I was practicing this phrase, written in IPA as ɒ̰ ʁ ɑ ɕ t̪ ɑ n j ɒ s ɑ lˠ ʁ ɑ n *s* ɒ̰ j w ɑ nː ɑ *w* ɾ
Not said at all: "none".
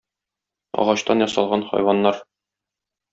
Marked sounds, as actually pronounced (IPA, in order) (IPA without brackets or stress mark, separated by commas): χ, none